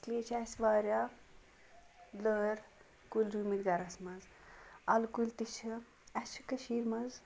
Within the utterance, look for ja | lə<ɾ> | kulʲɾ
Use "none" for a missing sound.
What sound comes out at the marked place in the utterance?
ɾ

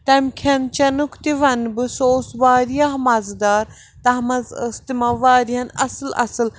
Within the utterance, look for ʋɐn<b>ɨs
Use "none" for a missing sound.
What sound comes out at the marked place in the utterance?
b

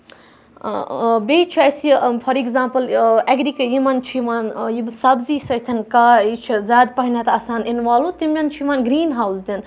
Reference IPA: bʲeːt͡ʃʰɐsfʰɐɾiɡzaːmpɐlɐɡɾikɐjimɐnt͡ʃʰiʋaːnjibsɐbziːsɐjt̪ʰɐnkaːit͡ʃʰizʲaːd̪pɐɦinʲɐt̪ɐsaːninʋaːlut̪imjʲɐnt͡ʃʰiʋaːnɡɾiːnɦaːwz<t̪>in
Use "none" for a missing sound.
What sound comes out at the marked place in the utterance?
d̪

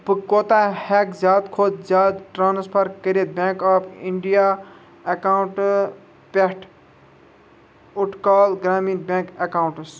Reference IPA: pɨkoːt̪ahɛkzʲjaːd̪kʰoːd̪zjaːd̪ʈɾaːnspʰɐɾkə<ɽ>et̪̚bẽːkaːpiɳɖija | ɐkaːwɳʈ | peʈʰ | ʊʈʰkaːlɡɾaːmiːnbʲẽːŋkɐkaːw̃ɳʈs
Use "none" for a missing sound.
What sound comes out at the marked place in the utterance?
ɾ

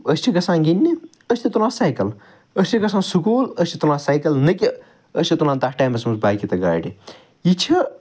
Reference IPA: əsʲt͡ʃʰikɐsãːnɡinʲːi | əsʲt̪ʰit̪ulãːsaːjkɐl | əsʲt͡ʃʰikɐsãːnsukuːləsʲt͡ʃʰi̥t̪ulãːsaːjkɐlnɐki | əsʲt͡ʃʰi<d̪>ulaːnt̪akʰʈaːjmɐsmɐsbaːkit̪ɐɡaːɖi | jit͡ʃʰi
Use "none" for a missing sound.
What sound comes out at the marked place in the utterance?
t̪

